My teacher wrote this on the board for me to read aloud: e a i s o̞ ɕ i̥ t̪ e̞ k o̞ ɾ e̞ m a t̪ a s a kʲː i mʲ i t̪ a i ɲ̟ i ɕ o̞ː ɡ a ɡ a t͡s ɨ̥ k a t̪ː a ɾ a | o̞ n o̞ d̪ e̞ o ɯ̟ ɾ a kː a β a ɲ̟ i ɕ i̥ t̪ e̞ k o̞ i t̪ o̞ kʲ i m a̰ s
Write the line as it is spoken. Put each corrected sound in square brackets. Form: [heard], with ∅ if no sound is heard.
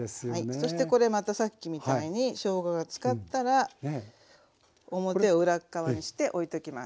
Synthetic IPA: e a i s o̞ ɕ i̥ t̪ e̞ k o̞ ɾ e̞ m a t̪ a s a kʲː i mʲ i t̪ a i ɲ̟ i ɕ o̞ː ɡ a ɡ a t͡s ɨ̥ k a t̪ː a ɾ a | o̞ [m] o̞ [t̪] e̞ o ɯ̟ ɾ a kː a β a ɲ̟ i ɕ i̥ t̪ e̞ [ʔ] o̞ i t̪ o̞ kʲ i m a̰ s